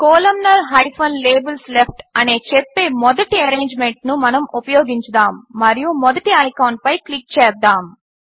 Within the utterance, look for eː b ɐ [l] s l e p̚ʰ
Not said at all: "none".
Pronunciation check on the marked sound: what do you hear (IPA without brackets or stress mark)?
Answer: l